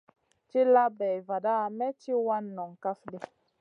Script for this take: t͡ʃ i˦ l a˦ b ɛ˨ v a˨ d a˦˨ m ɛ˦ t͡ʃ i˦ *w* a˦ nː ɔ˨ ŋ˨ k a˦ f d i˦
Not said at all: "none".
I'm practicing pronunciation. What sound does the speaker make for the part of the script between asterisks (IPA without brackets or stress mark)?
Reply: w